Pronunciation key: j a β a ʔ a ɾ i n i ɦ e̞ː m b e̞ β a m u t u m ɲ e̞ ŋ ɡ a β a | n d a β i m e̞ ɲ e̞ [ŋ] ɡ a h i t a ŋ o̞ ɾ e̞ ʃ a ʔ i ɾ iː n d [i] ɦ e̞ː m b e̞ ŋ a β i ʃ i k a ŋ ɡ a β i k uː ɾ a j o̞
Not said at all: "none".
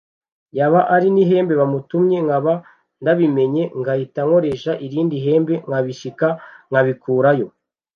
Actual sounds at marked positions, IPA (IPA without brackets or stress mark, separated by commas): ŋ, i